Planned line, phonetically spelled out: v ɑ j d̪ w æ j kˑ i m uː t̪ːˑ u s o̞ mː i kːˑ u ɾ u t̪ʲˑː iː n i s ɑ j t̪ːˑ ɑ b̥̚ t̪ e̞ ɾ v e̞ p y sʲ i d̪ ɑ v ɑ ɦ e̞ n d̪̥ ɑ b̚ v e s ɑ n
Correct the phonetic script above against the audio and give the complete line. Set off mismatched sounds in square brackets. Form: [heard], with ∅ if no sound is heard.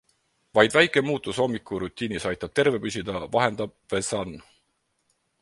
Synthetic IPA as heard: v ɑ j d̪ [v] æ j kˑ [e] m uː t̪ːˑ u s o̞ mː i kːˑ u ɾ u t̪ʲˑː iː n i s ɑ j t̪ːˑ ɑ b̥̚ t̪ e̞ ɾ v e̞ p y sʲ i d̪ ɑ v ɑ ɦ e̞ n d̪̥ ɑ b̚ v e s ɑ n